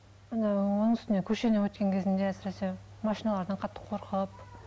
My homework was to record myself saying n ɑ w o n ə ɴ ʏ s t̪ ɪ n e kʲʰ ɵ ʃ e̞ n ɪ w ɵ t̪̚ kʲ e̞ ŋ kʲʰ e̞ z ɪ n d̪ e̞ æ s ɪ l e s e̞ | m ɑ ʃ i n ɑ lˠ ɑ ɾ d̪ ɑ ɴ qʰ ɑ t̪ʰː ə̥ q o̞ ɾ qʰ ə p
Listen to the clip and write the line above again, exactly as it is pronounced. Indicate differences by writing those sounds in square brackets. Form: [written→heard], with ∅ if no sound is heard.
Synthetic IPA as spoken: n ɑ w o n ə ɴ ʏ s t̪ ɪ n e kʲʰ ɵ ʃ e̞ n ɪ w ɵ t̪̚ kʲ e̞ ŋ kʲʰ e̞ z ɪ n d̪ e̞ æ s ɪ [l→ɾ] e s e̞ | m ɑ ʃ i n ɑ lˠ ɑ ɾ d̪ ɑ ɴ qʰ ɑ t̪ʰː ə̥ [q→qʰ] o̞ ɾ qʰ ə p